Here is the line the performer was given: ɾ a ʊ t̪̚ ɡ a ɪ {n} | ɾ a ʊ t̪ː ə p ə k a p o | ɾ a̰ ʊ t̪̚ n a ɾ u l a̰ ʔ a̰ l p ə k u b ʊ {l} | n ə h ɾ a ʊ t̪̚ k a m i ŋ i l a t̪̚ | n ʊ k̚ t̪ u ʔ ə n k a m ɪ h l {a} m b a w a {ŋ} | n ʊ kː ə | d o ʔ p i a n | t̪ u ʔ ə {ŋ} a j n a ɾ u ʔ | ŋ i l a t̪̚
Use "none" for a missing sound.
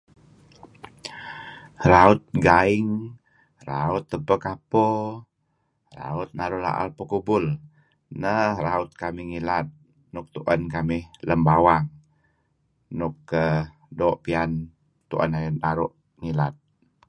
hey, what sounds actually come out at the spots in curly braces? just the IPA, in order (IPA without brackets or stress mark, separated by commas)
ŋ, l, ə, ŋ, n